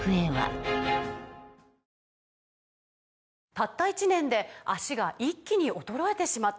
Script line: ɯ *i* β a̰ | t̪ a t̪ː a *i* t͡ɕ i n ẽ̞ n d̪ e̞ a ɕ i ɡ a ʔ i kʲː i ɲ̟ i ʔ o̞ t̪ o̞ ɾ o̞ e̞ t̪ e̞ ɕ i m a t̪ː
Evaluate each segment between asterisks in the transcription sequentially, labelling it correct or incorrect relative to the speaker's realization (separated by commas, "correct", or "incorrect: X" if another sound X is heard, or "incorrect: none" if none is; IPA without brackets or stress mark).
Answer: incorrect: e, correct